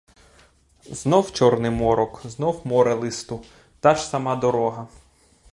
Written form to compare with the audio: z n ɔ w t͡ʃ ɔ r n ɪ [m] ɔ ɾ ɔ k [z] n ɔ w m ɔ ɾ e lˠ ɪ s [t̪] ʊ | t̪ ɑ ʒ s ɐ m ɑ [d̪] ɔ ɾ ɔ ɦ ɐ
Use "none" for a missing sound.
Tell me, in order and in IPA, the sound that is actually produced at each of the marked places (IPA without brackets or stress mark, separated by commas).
m, z, t̪, d̪